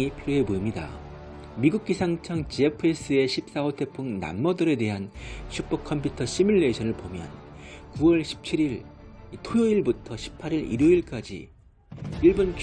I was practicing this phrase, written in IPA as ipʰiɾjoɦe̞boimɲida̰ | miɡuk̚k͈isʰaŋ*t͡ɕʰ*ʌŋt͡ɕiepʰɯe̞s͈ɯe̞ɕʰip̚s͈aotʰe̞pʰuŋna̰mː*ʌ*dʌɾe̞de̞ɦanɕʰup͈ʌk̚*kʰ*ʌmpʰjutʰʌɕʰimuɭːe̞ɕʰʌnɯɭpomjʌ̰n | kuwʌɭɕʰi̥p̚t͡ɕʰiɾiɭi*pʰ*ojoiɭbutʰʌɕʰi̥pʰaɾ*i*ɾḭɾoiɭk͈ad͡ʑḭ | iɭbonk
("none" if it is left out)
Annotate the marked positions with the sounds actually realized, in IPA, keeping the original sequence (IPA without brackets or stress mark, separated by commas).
t͡ɕʰ, ʌ, kʰ, tʰ, i